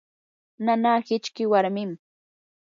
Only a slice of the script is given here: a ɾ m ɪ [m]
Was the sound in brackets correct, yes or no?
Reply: yes